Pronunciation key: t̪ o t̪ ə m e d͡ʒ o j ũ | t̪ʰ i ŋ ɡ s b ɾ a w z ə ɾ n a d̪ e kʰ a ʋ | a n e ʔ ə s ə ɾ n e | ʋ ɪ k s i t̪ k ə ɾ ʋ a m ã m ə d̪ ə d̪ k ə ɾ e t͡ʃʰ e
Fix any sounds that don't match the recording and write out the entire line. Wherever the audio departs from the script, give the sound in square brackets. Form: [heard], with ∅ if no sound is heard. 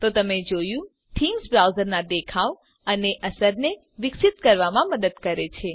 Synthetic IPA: t̪ o t̪ ə m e d͡ʒ o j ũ | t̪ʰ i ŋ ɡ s b ɾ a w z ə ɾ n a d̪ e kʰ a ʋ | [ə] n e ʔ ə s ə ɾ n e | ʋ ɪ k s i t̪ k ə ɾ ʋ a m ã m ə d̪ ə d̪ k ə ɾ e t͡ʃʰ e